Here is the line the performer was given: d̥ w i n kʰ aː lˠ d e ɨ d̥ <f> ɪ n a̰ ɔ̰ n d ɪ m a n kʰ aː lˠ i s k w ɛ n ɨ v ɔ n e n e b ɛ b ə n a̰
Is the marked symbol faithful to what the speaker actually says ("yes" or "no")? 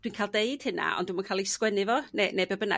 no